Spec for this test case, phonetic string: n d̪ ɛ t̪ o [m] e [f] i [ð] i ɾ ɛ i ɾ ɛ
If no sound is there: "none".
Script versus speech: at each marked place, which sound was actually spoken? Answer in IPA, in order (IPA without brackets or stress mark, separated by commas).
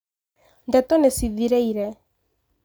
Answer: n, s, ð